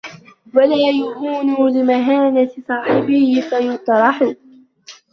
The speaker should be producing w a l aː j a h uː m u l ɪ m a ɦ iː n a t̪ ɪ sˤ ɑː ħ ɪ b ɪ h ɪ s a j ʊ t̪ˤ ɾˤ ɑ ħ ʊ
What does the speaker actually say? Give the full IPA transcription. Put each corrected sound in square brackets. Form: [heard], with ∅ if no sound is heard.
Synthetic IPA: w a l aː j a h uː [n] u l ɪ m a ɦ [aː] n a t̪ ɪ sˤ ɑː ħ ɪ b ɪ h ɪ [f] a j ʊ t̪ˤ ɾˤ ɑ ħ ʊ

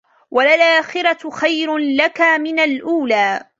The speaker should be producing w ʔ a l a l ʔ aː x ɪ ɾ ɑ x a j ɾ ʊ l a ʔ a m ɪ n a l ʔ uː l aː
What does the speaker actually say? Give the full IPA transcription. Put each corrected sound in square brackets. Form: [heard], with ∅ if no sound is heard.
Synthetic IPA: w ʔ a l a l ʔ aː x ɪ ɾ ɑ x a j ɾ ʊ l a [k] a m ɪ n a l ʔ uː l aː

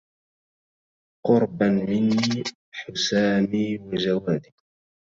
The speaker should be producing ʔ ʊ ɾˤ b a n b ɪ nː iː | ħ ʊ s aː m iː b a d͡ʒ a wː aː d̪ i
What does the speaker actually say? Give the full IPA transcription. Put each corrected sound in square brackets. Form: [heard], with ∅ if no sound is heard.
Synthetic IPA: [q] ʊ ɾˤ b a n [m] ɪ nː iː | ħ ʊ s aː m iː [w] a d͡ʒ a [w] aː d̪ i

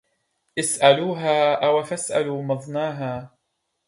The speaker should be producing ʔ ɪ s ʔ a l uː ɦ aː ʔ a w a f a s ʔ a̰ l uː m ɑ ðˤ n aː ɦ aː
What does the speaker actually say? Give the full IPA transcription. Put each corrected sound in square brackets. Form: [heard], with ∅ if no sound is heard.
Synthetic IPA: ʔ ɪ s ʔ a l uː ɦ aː ʔ a w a f a s ʔ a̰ l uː m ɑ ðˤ n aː ɦ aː

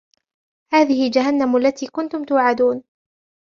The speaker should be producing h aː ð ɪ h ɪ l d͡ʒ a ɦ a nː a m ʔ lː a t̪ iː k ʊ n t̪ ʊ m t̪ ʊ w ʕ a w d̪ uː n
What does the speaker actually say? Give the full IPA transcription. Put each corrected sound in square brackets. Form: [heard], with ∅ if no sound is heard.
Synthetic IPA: h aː ð ɪ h ɪ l d͡ʒ a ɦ a nː a m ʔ lː a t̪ iː k ʊ n t̪ ʊ m t̪ ʊ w ʕ a [∅] d̪ uː n

